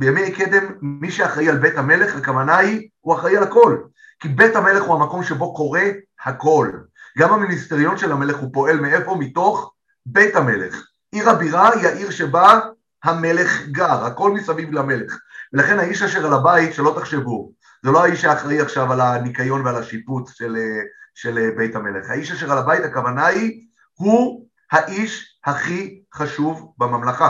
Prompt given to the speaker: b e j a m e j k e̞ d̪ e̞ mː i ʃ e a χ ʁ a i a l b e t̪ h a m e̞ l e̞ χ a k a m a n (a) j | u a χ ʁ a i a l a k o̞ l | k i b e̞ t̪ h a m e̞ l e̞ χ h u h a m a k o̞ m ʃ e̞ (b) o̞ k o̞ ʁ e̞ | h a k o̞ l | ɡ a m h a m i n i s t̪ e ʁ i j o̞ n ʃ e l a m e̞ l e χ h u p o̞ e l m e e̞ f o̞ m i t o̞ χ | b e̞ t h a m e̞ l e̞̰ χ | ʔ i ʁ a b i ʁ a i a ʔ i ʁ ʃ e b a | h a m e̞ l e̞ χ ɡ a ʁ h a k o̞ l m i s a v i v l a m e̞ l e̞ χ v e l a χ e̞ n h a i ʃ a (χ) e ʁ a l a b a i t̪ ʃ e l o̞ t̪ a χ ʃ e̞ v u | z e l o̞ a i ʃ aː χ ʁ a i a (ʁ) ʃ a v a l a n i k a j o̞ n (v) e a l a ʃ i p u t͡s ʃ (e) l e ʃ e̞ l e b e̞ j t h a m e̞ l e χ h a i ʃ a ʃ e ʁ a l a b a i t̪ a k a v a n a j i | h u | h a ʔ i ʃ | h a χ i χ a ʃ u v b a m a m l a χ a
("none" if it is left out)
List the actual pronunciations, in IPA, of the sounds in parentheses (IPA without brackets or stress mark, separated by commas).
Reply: a, b, ʃ, χ, v, e